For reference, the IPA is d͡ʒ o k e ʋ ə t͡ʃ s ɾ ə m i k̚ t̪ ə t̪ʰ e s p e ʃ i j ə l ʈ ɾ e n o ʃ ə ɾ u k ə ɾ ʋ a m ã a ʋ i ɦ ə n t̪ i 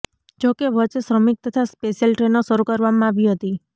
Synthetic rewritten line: d͡ʒ o k e ʋ ə t͡ʃ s ɾ ə m i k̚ t̪ ə t̪ʰ a s p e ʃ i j ə l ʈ ɾ e n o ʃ ə ɾ u k ə ɾ ʋ a m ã a ʋ i ɦ ə t̪ i